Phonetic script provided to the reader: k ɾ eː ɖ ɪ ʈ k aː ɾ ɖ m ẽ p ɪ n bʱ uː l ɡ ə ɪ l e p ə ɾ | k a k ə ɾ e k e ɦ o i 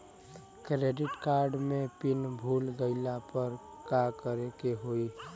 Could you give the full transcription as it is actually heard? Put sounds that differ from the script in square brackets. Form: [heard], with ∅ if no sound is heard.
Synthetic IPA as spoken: k ɾ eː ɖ ɪ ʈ k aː ɾ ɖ m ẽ p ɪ n bʱ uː l ɡ ə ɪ l [a] p ə ɾ | k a k ə ɾ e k e ɦ o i

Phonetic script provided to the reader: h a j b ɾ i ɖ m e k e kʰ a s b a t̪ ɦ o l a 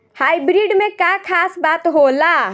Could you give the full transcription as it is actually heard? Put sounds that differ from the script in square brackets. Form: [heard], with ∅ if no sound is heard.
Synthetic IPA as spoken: h a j b ɾ i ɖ m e k [a] kʰ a s b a t̪ ɦ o l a

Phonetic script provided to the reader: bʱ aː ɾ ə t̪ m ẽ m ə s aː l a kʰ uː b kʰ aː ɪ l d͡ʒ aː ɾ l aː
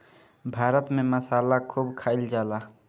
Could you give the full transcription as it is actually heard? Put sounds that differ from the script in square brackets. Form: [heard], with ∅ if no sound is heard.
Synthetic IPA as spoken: bʱ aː ɾ ə t̪ m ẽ m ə s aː l a kʰ uː b kʰ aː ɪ l d͡ʒ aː [∅] l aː

